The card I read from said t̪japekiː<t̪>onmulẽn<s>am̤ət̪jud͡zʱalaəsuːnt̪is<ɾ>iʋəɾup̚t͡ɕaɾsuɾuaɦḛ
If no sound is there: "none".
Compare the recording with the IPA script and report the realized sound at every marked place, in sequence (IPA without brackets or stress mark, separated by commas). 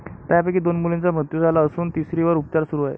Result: d̪, t͡s, ɾ